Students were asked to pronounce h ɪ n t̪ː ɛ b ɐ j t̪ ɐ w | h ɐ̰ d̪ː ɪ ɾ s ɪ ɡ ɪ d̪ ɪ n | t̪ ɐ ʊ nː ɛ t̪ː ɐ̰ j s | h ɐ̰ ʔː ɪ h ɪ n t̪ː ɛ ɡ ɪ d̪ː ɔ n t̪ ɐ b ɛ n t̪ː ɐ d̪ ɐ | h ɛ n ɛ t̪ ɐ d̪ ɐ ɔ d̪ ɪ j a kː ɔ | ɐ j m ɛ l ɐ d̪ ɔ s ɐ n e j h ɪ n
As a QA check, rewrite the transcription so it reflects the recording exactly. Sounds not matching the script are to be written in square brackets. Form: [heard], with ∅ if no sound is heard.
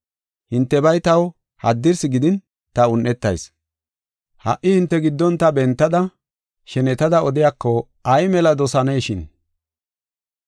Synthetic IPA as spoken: h ɪ n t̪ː ɛ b ɐ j t̪ ɐ w | h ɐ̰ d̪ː ɪ ɾ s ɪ ɡ ɪ d̪ ɪ n | t̪ ɐ ʊ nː ɛ t̪ː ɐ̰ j s | h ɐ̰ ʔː ɪ h ɪ n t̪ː ɛ ɡ ɪ d̪ː ɔ n t̪ ɐ b ɛ n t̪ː ɐ d̪ ɐ | [ʃ] ɛ n ɛ t̪ ɐ d̪ ɐ ɔ d̪ ɪ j a kː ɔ | ɐ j m ɛ l ɐ d̪ ɔ s ɐ n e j [ʃ] ɪ n